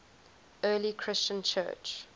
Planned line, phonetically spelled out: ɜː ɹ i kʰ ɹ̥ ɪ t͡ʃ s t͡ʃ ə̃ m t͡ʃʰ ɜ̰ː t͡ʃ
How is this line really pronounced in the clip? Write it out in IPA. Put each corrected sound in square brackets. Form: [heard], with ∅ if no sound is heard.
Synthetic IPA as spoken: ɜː [l] i kʰ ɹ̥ ɪ [∅] s t͡ʃ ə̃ [n] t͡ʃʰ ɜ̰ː t͡ʃ